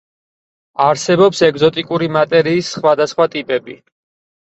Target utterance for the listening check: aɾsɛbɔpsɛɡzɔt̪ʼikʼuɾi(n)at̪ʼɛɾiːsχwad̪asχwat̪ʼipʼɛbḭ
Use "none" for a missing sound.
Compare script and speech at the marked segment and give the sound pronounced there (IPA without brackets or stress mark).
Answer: m